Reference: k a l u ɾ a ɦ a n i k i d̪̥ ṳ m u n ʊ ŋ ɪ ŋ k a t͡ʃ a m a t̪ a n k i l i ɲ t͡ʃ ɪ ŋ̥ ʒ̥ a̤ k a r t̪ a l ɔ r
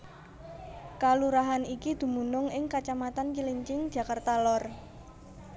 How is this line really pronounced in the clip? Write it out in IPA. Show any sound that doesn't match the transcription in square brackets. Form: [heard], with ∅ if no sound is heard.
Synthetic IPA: k a l u ɾ a ɦ a n i k i d̪̥ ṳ m u n ʊ ŋ ɪ ŋ k a t͡ʃ a m a t̪ a n k i l i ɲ t͡ʃ ɪ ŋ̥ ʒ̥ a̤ k a r t̪ a l ɔ r